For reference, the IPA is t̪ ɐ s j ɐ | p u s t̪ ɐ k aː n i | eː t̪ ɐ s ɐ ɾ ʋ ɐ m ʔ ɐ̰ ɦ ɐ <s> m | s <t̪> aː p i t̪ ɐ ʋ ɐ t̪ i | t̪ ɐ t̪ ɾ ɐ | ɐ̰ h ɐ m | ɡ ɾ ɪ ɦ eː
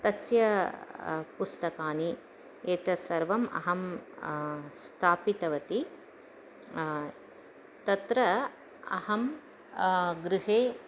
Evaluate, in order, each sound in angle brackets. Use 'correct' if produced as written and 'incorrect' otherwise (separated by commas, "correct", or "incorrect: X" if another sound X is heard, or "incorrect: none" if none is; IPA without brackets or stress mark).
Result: incorrect: none, incorrect: t̪ʰ